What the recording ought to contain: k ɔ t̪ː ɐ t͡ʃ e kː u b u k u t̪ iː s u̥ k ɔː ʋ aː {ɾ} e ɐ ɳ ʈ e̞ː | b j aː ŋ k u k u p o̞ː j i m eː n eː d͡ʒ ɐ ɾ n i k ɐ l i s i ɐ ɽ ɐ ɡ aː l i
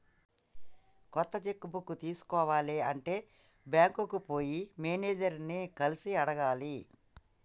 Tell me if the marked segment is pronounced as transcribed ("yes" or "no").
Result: no